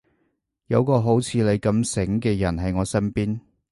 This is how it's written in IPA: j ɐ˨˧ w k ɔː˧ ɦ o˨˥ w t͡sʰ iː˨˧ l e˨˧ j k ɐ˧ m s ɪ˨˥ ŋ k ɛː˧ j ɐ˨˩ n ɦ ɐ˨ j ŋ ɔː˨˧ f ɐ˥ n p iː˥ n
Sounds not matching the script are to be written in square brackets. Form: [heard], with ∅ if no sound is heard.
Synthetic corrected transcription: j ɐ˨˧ w k ɔː˧ ɦ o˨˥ w t͡sʰ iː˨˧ l e˨˧ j k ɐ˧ m s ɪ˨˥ ŋ k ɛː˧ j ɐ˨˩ n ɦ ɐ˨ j ŋ ɔː˨˧ [s] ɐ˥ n p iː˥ n